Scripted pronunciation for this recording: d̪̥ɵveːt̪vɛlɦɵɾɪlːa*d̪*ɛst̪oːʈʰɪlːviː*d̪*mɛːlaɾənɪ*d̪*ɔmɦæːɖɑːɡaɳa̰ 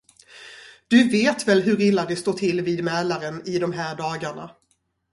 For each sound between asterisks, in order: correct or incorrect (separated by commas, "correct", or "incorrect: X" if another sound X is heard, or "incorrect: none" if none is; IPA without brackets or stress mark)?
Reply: correct, correct, correct